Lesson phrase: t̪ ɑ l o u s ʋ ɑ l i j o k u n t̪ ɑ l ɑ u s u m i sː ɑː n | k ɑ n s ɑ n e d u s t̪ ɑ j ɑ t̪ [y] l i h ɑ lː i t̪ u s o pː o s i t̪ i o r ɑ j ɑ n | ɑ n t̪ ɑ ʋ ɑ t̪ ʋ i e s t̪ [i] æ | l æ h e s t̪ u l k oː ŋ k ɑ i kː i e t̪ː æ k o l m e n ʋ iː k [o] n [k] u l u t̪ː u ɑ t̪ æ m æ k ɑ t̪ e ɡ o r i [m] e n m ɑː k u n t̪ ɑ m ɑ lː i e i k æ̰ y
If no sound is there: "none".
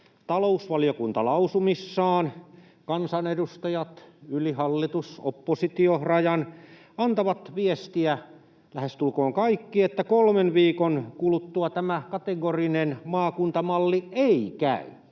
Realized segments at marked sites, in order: y, i, o, k, n

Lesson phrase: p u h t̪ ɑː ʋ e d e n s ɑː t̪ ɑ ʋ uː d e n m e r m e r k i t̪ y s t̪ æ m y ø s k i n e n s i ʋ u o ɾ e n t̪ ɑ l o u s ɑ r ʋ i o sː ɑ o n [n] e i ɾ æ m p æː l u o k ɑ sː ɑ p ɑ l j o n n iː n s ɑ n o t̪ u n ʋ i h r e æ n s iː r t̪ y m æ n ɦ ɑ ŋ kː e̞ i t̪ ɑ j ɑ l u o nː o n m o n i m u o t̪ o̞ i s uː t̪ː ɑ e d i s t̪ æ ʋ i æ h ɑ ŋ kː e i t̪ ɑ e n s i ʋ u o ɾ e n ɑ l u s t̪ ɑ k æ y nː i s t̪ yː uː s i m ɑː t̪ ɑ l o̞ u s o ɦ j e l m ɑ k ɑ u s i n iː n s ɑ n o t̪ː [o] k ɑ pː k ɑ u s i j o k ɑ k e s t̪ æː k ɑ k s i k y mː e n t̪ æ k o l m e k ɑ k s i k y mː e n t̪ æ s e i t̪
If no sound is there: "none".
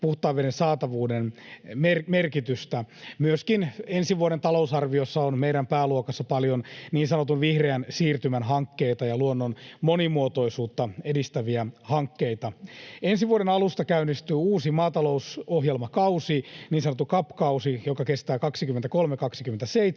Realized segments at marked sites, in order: m, u

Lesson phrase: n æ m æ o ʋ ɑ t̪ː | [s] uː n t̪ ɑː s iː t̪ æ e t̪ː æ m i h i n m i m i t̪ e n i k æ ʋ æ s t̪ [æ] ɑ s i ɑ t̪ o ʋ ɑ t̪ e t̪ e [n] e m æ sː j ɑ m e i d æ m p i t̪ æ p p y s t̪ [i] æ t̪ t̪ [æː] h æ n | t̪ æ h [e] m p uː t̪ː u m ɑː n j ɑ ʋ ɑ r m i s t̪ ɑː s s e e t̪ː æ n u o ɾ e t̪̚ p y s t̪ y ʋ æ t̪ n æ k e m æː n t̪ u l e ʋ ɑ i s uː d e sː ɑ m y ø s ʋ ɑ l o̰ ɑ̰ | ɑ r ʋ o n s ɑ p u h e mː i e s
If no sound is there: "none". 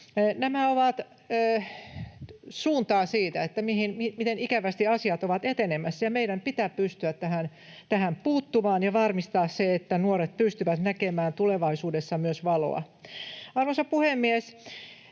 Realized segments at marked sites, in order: s, i, n, y, æ, æ

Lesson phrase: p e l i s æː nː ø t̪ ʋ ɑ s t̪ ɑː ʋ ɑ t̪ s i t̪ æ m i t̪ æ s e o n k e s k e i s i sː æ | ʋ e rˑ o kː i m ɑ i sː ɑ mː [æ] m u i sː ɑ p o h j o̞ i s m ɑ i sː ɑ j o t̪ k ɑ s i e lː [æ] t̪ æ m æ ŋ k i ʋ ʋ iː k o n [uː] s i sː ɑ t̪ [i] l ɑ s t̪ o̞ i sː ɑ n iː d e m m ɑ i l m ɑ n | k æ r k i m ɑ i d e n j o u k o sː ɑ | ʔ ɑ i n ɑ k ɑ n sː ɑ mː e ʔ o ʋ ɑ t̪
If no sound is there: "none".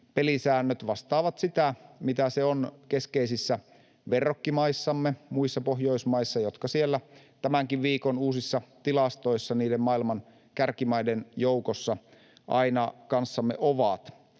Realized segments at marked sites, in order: e, æ, uː, i

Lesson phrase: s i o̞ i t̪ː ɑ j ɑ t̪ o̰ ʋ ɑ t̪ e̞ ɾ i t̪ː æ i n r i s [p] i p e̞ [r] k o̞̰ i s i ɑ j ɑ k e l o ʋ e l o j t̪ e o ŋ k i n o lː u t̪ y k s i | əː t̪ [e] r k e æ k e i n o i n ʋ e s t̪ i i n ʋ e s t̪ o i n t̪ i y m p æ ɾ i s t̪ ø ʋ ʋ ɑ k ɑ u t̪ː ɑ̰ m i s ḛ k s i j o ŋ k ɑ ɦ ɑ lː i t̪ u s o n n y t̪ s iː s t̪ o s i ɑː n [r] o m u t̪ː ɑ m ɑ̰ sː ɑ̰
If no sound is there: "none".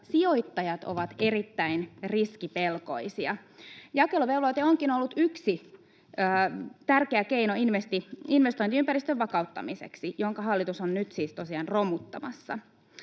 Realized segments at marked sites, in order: k, l, æ, r

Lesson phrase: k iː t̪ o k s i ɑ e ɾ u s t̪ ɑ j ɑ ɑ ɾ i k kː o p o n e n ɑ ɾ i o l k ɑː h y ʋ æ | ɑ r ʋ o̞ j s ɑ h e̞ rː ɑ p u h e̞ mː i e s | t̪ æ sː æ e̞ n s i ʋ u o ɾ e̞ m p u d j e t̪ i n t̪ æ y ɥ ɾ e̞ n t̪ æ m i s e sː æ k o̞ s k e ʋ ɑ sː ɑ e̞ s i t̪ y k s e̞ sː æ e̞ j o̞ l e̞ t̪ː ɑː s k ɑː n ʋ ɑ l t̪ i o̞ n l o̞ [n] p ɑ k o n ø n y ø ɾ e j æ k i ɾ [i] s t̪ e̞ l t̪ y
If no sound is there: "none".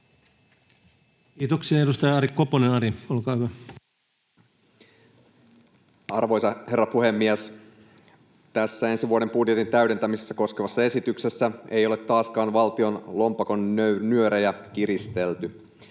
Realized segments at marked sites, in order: m, i

